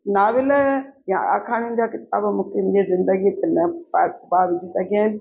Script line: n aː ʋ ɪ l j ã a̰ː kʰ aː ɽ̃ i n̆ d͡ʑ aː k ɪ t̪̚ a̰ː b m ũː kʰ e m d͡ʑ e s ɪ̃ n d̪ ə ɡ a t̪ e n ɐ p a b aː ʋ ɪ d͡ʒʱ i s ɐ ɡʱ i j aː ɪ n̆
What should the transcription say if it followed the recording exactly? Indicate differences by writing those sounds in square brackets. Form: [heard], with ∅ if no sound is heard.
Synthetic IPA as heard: n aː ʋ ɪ l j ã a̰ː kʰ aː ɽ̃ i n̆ d͡ʑ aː k ɪ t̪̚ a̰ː b m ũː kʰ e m d͡ʑ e [z] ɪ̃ n d̪ ə ɡ [i] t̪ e n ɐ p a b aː ʋ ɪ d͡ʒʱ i s ɐ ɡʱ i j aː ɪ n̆